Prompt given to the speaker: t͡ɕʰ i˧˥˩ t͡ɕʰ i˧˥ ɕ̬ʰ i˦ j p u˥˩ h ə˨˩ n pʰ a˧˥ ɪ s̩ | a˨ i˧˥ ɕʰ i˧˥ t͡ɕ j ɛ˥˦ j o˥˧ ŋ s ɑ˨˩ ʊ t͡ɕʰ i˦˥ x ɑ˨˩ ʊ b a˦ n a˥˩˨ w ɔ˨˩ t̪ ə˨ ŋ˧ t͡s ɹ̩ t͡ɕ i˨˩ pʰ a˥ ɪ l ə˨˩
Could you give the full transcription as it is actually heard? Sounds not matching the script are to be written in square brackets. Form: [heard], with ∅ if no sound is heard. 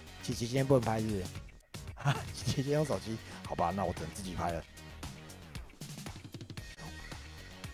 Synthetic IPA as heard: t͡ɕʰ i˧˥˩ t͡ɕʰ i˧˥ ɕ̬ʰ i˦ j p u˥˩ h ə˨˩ n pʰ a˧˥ ɪ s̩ | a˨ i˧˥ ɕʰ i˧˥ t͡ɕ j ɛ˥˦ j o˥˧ ŋ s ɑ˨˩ ʊ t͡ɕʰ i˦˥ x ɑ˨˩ ʊ b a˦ n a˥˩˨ w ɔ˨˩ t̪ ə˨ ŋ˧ t͡s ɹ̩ t͡ɕ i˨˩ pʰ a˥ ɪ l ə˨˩